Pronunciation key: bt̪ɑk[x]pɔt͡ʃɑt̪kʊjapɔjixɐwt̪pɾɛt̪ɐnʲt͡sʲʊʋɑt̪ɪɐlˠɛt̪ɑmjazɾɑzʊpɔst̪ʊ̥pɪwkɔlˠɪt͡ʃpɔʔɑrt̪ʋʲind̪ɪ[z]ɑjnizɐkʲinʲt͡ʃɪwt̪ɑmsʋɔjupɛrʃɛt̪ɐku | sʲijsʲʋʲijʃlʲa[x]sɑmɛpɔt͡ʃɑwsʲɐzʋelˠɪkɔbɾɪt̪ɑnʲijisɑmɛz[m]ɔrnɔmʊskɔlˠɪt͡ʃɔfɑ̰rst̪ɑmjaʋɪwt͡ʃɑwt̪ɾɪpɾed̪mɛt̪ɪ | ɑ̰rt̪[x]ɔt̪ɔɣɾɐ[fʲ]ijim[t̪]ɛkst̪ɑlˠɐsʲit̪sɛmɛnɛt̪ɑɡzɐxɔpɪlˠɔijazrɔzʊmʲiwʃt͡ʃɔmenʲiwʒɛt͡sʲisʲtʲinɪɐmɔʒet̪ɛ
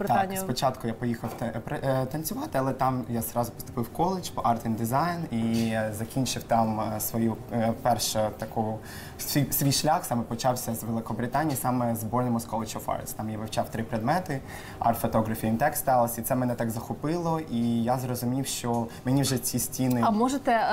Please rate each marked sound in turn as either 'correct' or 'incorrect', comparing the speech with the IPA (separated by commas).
incorrect, correct, correct, incorrect, incorrect, correct, correct